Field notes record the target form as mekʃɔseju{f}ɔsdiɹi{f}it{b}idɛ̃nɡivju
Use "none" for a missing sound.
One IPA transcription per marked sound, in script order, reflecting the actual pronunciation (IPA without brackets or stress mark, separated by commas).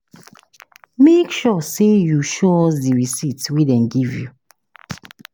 ʃ, s, w